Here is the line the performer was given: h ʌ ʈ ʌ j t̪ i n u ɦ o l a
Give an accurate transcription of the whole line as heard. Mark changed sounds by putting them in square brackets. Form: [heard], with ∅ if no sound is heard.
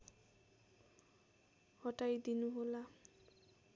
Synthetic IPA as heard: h [ɔ] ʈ [a] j [d̪] i n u ɦ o l a